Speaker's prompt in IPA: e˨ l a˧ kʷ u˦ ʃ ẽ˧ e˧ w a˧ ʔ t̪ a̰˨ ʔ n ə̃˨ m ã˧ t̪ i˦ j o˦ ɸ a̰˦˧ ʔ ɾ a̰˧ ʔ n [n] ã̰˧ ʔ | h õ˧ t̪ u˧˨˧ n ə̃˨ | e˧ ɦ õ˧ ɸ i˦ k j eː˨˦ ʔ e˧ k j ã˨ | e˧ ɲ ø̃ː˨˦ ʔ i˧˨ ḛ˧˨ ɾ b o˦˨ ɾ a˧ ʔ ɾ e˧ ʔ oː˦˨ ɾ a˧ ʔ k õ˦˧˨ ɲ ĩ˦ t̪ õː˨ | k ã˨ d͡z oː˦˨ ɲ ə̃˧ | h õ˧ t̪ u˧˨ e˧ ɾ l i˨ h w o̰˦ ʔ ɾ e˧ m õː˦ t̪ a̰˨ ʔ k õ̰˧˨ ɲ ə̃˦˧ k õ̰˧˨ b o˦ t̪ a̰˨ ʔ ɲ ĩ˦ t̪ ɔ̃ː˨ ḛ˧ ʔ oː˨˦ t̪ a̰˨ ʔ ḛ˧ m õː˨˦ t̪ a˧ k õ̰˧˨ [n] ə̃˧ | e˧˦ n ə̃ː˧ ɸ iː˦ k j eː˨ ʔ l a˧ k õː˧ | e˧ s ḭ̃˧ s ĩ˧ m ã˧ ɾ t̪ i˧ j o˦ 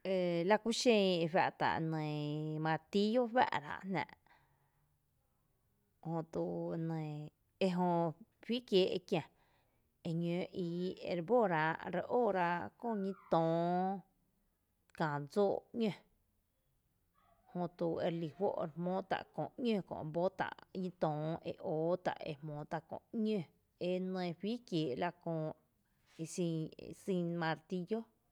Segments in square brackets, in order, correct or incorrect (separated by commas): correct, incorrect